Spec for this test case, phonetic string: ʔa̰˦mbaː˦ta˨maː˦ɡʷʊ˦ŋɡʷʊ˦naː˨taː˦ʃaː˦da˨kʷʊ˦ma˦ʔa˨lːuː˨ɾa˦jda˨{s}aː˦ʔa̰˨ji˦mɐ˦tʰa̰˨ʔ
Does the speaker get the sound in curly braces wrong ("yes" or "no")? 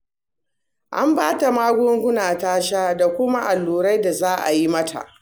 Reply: yes